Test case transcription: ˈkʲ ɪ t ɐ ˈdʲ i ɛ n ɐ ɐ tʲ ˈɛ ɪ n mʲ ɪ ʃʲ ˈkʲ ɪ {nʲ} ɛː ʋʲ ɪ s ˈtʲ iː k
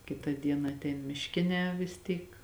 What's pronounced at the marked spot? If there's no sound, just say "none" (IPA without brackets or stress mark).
nʲ